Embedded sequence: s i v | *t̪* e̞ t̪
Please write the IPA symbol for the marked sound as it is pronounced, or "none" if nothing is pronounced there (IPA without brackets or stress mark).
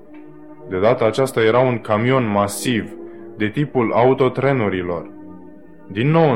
d̪